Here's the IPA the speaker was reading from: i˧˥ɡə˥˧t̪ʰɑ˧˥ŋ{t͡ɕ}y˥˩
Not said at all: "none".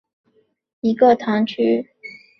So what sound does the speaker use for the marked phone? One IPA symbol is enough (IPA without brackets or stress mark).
t͡ɕʰ